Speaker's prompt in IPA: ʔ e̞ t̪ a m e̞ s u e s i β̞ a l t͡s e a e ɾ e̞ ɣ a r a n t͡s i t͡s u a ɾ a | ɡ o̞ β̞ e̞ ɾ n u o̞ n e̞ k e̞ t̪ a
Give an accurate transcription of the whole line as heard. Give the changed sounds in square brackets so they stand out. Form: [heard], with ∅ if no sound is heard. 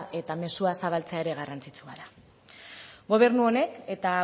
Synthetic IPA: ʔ e̞ t̪ a m e̞ s u [a] s [a] β̞ a l t͡s e a e ɾ e̞ ɣ a r a n t͡s i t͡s u a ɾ a | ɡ o̞ β̞ e̞ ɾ n u o̞ n e̞ k e̞ t̪ a